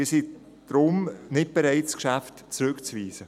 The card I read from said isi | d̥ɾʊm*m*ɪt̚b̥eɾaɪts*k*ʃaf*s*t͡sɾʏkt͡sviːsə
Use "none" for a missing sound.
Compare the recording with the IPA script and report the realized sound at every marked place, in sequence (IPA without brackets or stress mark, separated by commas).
n, k, t